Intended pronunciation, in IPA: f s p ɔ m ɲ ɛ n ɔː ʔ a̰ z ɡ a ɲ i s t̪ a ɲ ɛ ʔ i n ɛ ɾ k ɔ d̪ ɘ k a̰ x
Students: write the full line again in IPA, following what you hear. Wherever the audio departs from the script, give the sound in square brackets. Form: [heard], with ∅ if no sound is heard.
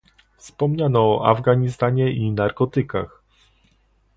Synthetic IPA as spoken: f s p ɔ m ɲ [a] n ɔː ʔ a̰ [v] ɡ a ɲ i s t̪ a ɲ ɛ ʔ i n [a] ɾ k ɔ [t̪] ɘ k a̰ x